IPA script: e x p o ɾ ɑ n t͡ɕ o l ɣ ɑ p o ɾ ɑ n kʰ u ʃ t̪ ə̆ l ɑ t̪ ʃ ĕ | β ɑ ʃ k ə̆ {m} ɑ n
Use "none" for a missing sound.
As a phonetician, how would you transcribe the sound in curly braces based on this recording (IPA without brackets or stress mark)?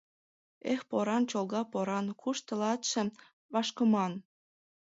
m